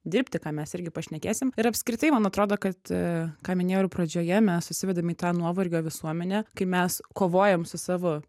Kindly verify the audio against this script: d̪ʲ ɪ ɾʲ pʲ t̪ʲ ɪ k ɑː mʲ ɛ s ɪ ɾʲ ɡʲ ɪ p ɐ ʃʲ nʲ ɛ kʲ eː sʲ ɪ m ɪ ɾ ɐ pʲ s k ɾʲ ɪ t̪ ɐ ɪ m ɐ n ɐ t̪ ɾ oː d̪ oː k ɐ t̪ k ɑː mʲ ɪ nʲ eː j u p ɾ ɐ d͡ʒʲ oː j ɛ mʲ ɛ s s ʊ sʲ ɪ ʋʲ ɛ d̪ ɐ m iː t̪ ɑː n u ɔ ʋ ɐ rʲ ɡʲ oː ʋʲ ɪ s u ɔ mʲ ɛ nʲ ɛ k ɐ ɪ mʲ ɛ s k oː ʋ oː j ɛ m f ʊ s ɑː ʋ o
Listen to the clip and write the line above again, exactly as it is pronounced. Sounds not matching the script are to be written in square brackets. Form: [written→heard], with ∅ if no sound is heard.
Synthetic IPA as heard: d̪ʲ ɪ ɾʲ pʲ t̪ʲ ɪ k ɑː mʲ ɛ s ɪ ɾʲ ɡʲ ɪ p ɐ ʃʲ nʲ ɛ kʲ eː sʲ ɪ m ɪ ɾ ɐ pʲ s k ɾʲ ɪ t̪ ɐ ɪ m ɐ n ɐ t̪ ɾ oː d̪ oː k ɐ t̪ k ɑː mʲ ɪ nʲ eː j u p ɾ ɐ d͡ʒʲ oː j ɛ mʲ ɛ s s ʊ sʲ ɪ ʋʲ ɛ d̪ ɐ m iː t̪ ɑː n u ɔ ʋ ɐ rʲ ɡʲ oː ʋʲ ɪ s u ɔ mʲ ɛ nʲ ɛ k ɐ ɪ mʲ ɛ s k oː ʋ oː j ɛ m [f→s] ʊ s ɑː ʋ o